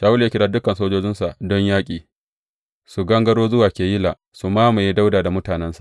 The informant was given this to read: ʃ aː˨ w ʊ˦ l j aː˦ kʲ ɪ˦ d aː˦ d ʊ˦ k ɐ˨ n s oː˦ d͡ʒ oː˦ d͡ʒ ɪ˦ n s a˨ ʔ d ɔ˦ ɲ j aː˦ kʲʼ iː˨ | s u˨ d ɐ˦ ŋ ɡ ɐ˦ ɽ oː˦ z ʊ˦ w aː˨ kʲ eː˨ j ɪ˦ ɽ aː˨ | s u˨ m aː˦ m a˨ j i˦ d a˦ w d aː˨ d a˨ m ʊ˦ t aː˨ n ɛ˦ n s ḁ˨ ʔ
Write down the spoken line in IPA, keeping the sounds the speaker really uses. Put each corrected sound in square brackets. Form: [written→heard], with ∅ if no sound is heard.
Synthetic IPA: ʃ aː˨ w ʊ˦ l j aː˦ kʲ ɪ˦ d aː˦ d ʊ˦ k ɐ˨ n s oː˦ d͡ʒ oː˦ d͡ʒ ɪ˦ n s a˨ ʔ d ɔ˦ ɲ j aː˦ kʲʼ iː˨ | s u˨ [d→ɡ] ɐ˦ ŋ ɡ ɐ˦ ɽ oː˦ z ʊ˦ w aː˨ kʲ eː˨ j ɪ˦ [ɽ→l] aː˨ | s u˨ m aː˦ m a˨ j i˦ d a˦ w d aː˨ d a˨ m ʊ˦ t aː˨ n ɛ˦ n s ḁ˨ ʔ